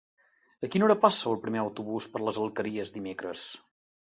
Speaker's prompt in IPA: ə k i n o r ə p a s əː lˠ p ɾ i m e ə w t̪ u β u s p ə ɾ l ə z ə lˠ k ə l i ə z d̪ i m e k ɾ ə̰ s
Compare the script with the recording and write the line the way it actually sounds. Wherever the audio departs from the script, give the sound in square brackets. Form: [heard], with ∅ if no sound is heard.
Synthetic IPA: ə k i n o [ɾ] ə p a s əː lˠ p ɾ i m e ə w t̪ u β u s p ə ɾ l ə z ə lˠ k ə [ɾ] i ə z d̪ i m e k ɾ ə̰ s